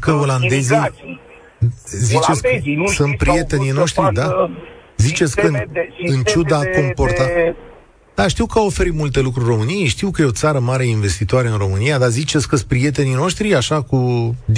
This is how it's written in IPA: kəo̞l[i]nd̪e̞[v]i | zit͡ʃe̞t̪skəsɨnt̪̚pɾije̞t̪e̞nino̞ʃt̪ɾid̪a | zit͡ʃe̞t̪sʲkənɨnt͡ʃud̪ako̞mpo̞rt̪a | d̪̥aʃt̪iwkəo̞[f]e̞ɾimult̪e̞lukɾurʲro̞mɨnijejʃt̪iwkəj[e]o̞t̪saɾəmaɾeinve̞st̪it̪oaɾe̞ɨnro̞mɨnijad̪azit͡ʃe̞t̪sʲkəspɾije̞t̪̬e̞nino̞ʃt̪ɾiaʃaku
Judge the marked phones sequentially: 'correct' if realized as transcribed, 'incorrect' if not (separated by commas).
incorrect, incorrect, correct, correct